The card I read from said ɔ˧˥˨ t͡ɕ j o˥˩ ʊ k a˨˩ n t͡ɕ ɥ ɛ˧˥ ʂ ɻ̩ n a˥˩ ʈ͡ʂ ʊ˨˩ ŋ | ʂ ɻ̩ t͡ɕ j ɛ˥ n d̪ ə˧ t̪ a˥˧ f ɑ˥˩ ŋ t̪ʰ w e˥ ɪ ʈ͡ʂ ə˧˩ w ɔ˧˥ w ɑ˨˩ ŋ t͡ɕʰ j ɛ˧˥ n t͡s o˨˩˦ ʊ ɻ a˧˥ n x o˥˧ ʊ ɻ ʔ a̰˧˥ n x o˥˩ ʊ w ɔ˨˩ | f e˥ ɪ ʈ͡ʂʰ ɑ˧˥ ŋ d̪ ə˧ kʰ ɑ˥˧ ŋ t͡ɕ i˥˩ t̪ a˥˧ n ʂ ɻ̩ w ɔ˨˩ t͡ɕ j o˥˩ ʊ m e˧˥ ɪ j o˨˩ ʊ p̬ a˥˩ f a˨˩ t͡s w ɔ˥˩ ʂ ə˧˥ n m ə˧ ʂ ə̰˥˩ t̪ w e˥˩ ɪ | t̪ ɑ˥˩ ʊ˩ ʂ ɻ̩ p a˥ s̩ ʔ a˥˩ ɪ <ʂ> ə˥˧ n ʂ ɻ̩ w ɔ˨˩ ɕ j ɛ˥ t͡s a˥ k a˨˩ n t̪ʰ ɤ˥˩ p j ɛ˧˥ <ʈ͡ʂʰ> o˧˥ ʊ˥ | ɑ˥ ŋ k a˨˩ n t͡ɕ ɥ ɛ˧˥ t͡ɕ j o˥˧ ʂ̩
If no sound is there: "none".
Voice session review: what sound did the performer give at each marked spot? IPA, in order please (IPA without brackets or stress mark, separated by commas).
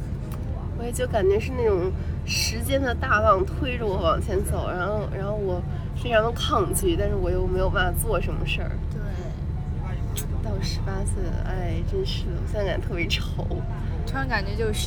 ʈ͡ʂ, ʈ͡ʂʰ